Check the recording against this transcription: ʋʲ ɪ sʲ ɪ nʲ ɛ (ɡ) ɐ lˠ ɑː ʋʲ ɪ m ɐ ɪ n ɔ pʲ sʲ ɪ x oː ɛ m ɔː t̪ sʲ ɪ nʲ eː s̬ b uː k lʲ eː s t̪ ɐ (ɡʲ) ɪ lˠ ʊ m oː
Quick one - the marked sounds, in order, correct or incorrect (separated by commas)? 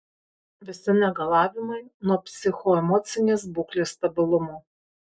correct, incorrect